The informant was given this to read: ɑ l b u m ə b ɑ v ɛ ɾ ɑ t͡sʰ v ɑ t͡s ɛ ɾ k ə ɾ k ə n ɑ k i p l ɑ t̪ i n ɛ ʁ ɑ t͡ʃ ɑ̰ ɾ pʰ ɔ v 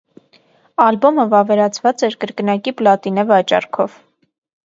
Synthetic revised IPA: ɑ l b ɔ m ə v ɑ v ɛ ɾ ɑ t͡sʰ v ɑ t͡s ɛ ɾ k ə ɾ k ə n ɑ k i p l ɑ t̪ i n ɛ v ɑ t͡ʃ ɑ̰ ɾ kʰ ɔ v